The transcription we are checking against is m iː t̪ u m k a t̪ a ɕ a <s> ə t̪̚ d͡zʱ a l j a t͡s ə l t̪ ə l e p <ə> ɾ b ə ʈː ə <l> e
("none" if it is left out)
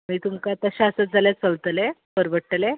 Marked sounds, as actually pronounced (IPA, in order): s, ə, l

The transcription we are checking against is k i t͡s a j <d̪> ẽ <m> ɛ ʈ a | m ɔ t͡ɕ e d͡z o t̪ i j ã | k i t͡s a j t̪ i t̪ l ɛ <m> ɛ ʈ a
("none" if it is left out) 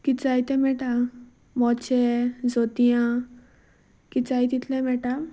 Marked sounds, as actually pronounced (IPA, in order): t̪, m, m

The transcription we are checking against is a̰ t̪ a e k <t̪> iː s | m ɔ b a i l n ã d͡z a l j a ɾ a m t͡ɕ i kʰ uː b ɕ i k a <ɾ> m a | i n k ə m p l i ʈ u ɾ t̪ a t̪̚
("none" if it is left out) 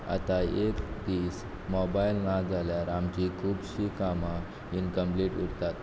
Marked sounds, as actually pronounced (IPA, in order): d̪, none

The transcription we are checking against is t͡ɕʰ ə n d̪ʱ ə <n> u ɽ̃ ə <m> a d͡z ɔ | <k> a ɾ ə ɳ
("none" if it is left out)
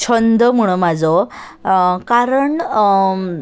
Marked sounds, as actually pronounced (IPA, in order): m, m, k

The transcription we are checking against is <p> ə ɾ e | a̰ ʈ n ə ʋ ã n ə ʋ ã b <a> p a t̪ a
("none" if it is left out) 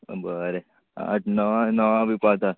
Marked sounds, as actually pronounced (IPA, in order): b, i

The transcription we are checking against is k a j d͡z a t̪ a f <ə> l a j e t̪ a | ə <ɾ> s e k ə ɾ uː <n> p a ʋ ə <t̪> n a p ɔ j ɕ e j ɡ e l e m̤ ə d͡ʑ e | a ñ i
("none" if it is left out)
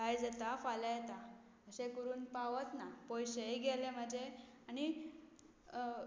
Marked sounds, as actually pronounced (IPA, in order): a, none, n, t̪

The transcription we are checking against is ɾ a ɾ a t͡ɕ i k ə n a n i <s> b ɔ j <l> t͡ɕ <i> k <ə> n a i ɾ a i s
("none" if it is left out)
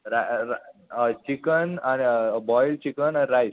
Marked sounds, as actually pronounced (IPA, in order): none, l, i, ə

